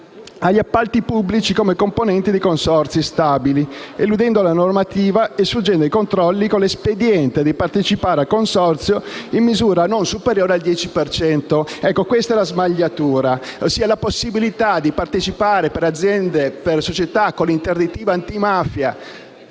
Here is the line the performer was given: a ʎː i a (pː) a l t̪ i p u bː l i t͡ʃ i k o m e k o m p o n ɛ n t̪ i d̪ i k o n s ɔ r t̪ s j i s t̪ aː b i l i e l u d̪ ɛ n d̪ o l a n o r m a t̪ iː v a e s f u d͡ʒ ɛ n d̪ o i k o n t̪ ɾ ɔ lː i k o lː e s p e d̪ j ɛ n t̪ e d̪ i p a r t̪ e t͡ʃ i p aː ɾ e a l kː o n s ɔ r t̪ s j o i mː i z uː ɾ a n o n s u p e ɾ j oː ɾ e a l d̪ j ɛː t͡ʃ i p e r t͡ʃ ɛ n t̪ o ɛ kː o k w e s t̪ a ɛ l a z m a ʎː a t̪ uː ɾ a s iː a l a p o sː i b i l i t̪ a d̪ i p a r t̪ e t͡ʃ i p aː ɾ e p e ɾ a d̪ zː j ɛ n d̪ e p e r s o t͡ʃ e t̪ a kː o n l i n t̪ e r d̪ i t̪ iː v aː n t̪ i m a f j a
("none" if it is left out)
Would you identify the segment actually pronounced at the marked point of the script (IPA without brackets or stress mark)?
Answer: pː